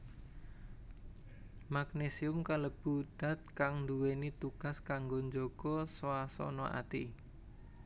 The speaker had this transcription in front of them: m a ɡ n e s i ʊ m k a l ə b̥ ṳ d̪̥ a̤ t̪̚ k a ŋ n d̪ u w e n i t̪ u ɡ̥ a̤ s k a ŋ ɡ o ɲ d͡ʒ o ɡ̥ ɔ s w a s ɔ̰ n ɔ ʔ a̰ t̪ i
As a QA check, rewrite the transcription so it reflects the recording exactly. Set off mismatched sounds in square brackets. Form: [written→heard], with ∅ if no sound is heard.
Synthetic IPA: m a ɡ n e s i ʊ m k a l ə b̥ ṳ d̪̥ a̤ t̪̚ k a ŋ n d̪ u w e n i t̪ u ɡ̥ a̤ s k a ŋ ɡ o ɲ d͡ʒ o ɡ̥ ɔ s w a s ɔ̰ n ɔ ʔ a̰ t̪ i